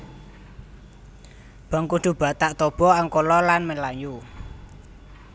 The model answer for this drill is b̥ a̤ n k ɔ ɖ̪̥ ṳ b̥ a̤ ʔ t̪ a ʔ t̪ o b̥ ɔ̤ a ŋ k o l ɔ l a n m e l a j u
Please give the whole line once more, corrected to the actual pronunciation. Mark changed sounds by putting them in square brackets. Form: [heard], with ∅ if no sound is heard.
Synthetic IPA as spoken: b̥ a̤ [ŋ] k [u] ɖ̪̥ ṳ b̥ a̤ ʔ t̪ a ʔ t̪ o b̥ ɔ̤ a ŋ k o l ɔ l a n m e l a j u